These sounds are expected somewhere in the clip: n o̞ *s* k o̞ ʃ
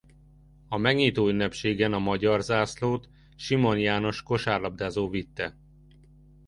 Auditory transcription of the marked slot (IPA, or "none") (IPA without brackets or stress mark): ʃ